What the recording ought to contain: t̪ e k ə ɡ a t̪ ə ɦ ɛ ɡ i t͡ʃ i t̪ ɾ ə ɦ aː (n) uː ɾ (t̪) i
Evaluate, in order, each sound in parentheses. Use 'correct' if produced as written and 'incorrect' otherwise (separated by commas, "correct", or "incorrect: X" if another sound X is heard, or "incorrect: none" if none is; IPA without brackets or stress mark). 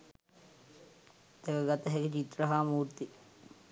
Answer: incorrect: m, correct